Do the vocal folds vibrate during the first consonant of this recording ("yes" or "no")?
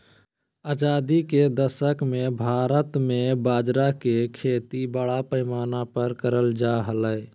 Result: yes